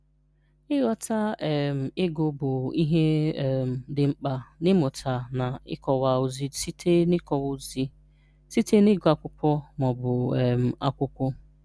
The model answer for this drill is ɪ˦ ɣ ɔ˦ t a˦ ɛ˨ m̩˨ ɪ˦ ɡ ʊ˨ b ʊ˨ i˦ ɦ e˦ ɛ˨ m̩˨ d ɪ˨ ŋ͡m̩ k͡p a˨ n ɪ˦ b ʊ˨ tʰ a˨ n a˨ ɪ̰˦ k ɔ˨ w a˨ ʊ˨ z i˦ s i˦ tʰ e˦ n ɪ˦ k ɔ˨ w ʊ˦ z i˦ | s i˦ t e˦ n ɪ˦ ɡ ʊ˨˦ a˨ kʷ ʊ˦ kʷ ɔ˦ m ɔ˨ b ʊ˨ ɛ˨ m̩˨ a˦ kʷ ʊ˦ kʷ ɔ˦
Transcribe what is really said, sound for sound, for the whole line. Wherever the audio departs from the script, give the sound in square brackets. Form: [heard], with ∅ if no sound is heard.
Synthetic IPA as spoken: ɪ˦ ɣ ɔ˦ t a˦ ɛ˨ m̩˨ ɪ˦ ɡ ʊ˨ b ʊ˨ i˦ ɦ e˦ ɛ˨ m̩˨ d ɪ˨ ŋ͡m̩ k͡p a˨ n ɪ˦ [m] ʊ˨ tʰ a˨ n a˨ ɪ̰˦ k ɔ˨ w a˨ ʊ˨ z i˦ s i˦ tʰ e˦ n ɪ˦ k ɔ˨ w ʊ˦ z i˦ | s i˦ t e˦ n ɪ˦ ɡ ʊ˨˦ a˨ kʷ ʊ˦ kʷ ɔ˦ m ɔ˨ b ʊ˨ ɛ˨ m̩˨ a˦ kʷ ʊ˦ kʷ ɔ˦